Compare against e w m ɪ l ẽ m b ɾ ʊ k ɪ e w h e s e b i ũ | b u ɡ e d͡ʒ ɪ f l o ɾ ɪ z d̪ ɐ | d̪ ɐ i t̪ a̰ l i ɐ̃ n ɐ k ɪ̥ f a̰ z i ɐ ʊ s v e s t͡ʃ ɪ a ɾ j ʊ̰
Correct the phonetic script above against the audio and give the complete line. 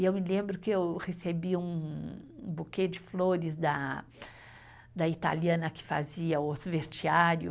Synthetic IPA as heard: e w m ɪ l ẽ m b ɾ ʊ k ɪ e w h e s e b i ũ | b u k e d͡ʒ ɪ f l o ɾ ɪ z d̪ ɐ | d̪ ɐ i t̪ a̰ l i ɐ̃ n ɐ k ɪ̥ f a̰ z i ɐ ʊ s v e s t͡ʃ i a ɾ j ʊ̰